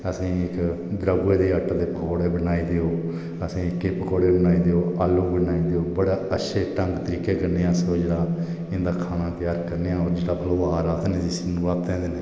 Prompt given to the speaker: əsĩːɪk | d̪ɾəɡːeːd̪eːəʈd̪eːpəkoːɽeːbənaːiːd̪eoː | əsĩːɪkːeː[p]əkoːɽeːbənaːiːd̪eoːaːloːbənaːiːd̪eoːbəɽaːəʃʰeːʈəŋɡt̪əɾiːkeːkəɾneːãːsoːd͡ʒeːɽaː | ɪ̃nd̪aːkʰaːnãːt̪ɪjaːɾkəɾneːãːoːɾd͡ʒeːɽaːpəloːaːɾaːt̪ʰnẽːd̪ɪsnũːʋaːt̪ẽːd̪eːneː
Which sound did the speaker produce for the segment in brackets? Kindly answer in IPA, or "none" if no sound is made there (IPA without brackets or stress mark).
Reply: p